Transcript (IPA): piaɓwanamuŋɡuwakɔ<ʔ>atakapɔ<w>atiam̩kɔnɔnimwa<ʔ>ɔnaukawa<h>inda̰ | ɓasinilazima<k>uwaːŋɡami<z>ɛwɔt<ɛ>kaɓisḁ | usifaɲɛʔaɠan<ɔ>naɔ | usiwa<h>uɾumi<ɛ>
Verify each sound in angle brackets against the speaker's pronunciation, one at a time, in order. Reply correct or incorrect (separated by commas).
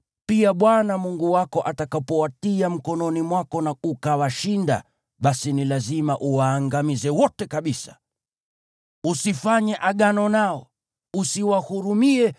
correct, correct, incorrect, incorrect, incorrect, correct, correct, correct, correct, correct